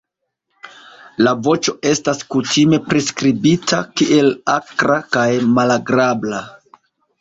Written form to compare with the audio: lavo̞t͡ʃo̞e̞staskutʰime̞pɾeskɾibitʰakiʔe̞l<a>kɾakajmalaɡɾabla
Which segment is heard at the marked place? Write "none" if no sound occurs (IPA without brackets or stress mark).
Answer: a